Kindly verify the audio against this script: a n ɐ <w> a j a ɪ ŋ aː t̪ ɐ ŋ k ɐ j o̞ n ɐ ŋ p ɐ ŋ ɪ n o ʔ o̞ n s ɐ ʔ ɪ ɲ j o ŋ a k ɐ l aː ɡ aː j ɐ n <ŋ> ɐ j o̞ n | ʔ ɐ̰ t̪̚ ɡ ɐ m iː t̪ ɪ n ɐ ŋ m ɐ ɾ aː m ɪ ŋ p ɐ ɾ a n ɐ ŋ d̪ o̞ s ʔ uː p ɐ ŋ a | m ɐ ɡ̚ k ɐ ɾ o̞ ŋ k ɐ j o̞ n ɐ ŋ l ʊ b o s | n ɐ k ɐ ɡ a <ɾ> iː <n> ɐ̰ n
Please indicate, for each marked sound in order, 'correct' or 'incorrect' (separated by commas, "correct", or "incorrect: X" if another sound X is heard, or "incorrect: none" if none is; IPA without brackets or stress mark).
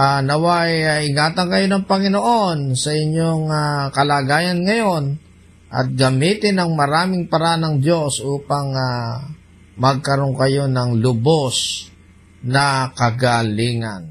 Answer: correct, correct, incorrect: l, incorrect: ŋ